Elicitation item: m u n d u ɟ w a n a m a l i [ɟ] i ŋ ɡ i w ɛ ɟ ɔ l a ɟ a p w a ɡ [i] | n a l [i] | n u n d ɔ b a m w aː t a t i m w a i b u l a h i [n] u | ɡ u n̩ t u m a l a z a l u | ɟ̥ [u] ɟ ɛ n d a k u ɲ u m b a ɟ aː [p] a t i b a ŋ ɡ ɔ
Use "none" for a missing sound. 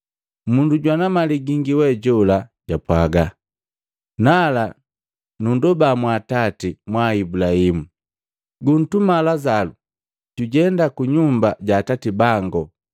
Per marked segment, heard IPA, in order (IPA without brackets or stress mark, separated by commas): ɡ, a, a, m, u, t